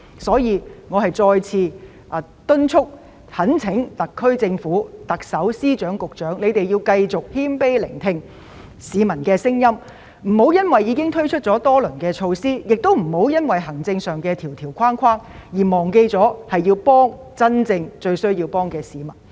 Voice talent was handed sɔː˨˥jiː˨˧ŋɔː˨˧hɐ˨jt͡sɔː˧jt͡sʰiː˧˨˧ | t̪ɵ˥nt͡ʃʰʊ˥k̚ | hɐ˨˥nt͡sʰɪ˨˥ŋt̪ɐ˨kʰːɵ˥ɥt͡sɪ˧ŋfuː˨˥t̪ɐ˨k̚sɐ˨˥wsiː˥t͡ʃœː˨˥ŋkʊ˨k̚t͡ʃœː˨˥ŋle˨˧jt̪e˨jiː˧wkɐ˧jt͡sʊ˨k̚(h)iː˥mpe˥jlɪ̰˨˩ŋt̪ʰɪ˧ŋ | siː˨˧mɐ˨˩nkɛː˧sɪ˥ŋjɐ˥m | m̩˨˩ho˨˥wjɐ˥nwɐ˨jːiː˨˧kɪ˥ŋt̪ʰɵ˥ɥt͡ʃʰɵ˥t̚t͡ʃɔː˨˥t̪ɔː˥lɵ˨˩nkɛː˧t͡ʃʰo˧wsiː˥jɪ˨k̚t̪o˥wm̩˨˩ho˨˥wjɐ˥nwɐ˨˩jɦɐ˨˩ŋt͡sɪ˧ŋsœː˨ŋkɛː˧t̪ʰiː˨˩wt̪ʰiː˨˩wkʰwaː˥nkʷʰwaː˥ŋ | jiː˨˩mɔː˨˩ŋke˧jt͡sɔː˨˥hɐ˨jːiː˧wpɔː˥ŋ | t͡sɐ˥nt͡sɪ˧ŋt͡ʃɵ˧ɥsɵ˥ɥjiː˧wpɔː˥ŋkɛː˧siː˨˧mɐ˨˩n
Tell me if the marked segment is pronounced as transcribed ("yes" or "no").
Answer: yes